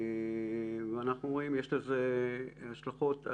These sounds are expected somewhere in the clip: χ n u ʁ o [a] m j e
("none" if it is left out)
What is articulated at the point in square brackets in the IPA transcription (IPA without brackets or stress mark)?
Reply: i